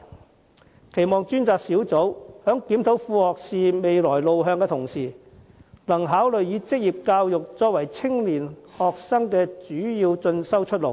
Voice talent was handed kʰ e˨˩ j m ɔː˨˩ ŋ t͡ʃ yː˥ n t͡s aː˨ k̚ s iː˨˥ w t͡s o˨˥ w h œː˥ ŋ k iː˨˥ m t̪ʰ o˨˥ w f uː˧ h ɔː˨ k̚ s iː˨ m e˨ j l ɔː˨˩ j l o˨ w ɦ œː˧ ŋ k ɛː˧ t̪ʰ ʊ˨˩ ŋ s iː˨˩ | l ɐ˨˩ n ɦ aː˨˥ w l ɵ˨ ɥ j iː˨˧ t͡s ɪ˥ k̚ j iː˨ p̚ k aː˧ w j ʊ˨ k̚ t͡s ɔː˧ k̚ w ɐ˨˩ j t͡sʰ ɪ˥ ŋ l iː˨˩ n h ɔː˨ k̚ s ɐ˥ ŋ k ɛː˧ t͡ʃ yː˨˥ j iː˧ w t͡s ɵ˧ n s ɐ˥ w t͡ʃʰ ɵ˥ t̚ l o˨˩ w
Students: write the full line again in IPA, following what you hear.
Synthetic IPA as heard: kʰ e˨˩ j m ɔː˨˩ ŋ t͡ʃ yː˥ n t͡s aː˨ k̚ s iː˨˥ w t͡s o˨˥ w h œː˨˥ ŋ k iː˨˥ m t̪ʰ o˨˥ w f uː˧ h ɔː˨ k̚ s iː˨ m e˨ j l ɔː˨˩ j l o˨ w ɦ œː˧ ŋ k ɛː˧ t̪ʰ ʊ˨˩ ŋ s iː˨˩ | l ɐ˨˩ ŋ ɦ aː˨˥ w l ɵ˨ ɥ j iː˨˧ t͡s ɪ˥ k̚ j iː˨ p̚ k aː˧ w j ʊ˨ k̚ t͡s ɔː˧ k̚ w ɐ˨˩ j t͡sʰ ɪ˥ ŋ l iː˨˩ n h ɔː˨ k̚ s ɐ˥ ŋ k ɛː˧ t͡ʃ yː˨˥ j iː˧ w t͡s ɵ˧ n s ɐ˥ w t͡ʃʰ ɵ˥ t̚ l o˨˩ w